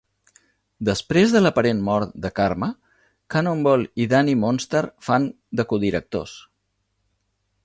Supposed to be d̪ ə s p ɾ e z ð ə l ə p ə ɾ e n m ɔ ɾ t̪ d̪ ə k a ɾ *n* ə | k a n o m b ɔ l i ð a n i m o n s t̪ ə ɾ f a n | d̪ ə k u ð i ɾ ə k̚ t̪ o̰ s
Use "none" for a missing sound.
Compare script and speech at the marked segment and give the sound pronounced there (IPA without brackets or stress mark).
m